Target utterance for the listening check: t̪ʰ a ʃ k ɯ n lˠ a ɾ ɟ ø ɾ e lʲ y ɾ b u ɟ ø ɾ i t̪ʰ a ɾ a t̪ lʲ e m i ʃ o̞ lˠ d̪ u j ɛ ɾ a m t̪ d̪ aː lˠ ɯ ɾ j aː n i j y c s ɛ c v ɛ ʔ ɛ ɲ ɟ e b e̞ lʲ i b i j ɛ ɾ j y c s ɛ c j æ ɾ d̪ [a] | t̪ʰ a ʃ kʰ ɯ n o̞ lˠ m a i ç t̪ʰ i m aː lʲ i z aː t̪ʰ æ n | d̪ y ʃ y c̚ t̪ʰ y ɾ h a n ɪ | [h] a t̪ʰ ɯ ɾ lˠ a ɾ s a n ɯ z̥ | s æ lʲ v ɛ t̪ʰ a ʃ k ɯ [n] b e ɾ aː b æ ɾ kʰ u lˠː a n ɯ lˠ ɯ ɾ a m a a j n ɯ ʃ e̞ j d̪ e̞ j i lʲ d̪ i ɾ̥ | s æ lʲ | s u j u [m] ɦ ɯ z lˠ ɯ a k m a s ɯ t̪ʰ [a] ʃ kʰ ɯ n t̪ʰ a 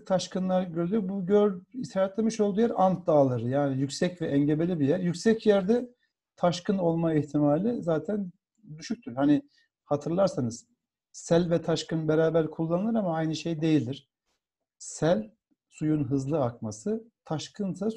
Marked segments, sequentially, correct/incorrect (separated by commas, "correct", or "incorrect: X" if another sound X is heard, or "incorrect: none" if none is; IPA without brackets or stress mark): incorrect: ɛ, correct, correct, incorrect: n, correct